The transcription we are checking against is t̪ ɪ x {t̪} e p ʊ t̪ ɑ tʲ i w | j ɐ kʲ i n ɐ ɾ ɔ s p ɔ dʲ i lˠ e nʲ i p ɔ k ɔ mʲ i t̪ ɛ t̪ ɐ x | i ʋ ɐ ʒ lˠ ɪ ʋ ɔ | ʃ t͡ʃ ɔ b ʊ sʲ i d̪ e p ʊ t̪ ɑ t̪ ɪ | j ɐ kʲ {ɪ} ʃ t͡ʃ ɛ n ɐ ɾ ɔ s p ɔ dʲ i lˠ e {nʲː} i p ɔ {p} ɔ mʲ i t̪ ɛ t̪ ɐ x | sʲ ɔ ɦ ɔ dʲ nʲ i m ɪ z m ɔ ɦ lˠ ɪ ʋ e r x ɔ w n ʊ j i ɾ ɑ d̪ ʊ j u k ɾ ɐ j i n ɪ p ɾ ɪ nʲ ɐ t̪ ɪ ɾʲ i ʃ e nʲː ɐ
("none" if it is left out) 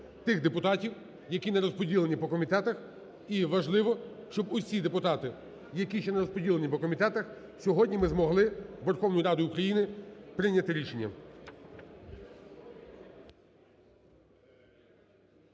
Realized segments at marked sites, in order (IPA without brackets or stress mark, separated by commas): d̪, i, nʲ, k